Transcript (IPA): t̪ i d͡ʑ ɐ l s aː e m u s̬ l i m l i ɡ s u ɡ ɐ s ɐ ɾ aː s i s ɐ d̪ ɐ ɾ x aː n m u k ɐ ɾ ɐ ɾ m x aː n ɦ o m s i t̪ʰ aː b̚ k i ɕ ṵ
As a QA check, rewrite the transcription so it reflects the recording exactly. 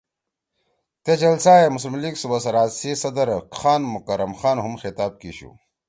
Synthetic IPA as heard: t̪ e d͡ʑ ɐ l s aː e m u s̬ l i m l i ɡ s u b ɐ s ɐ ɾ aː s i s ɐ d̪ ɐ ɾ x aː n m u k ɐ ɾ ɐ m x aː n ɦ u m x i t̪ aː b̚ k i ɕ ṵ

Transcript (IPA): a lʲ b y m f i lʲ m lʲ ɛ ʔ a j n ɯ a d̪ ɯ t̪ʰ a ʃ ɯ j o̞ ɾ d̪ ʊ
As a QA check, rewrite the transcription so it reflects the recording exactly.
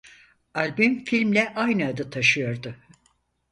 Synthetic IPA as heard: a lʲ b y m f i lʲ m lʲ ɛ ʔ a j n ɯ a d̪ ɯ t̪ʰ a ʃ ɯ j o̞ ɾ d̪ ʊ

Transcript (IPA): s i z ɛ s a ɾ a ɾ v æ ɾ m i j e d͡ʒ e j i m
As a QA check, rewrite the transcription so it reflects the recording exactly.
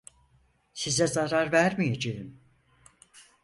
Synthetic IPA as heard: s i z ɛ z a ɾ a ɾ v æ ɾ m i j e d͡ʒ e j i m

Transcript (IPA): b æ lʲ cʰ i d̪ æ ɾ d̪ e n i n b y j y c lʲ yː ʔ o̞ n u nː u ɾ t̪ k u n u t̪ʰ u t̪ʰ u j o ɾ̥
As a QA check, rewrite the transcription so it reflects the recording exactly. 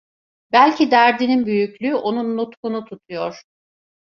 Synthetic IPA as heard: b æ lʲ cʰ i d̪ æ ɾ d̪ i n i n b y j y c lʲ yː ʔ o̞ n u nː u t̪ k u n u t̪ʰ u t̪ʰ u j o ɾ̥

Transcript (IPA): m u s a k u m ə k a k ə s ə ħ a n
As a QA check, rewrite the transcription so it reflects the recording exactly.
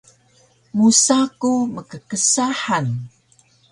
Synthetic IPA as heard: m u s a k u m ə k ə k ə s a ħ a n

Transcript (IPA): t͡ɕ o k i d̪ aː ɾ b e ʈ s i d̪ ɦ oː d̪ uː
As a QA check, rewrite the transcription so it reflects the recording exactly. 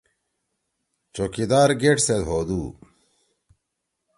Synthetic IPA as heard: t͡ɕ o k i d̪ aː ɾ ɡ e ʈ s e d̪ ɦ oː d̪ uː

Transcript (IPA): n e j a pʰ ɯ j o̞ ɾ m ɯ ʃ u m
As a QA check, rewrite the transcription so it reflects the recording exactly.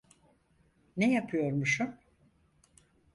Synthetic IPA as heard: n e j a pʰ ɯ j o̞ ɾ m u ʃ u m

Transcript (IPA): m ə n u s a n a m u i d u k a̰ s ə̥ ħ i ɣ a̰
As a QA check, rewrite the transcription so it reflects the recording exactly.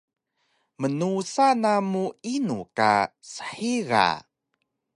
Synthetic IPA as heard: m ə n u s a n a m u i n u k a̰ s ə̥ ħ i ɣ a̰

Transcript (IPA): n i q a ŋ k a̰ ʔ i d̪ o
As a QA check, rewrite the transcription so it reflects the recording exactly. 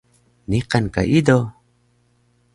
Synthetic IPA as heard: n i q a n k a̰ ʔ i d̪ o

